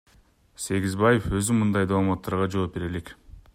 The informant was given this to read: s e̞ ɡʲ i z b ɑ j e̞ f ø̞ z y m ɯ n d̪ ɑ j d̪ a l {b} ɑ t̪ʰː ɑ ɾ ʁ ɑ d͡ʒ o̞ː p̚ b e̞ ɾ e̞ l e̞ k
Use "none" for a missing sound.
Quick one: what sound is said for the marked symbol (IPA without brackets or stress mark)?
m